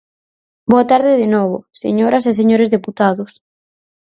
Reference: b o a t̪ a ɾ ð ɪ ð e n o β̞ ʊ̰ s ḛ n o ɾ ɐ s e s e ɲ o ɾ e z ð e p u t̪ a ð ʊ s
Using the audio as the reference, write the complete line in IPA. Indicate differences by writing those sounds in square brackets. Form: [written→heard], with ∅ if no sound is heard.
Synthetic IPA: b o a t̪ a ɾ ð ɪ ð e n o β̞ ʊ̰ s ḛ [n→ɲ] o ɾ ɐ s e s e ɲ o ɾ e z ð e p u t̪ a ð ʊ s